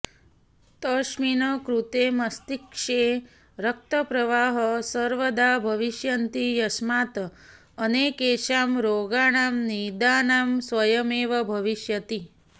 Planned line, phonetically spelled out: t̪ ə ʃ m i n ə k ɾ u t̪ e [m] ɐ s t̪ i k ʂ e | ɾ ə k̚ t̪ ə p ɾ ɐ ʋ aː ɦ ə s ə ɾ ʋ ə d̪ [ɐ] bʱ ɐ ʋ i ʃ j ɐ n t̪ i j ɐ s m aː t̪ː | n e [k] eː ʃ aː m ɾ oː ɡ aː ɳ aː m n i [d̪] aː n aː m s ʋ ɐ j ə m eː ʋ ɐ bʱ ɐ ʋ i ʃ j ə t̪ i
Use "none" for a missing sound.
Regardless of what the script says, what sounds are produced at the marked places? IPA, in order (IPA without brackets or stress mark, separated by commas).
m, a, k, d̪